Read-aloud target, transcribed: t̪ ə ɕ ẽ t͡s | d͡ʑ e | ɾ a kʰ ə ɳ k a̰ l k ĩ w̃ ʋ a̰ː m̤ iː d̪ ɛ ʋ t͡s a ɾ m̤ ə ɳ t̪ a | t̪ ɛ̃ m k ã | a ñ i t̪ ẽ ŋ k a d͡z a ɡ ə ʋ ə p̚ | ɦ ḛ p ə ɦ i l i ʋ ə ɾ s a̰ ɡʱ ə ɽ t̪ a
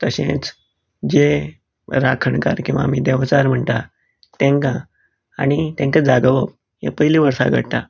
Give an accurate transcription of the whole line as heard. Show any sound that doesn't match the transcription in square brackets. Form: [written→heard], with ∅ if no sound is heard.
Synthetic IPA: t̪ ə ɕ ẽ t͡s | d͡ʑ e | ɾ a kʰ ə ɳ k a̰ [l→ɾ] k ĩ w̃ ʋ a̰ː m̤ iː d̪ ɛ ʋ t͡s a ɾ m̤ ə ɳ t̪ a | t̪ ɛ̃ [m→ŋ] k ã | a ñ i t̪ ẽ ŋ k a d͡z a ɡ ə ʋ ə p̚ | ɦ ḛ p ə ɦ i l i ʋ ə ɾ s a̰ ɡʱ ə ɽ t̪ a